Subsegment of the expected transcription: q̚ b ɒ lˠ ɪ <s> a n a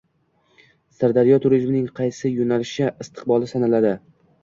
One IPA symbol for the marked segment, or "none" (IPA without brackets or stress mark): s